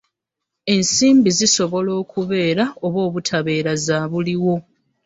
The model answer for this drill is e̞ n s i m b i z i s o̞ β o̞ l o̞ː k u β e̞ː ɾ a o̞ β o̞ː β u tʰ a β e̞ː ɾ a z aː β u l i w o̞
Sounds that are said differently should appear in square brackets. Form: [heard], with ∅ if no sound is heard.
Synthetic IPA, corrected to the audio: e̞ n s [iː] m b i z i s o̞ β o̞ l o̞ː k u β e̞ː ɾ a o̞ β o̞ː β u tʰ a β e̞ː ɾ a z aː β u l i w o̞